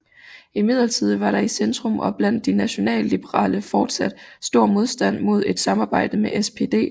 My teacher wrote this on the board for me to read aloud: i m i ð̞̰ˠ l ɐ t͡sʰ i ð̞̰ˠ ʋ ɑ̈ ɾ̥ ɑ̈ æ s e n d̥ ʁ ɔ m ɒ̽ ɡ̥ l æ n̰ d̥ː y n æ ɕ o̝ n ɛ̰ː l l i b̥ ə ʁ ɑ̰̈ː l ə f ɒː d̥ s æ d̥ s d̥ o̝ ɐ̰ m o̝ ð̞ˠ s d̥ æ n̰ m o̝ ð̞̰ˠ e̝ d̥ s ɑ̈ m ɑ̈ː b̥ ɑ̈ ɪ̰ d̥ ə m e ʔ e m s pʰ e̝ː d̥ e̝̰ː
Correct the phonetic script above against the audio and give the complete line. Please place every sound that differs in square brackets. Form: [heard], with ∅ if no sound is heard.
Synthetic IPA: i m i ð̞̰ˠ l ɐ t͡sʰ i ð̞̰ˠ ʋ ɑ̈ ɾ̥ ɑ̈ [i] s e n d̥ ʁ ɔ m ɒ̽ [b̥] l æ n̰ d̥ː [i] n æ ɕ o̝ n ɛ̰ː l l i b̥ ə ʁ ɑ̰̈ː l ə f ɒː d̥ s æ d̥ s d̥ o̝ ɐ̰ m o̝ ð̞ˠ s d̥ æ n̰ m o̝ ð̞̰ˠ e̝ d̥ s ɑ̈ m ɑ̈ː b̥ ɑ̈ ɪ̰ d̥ ə m e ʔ e [∅] s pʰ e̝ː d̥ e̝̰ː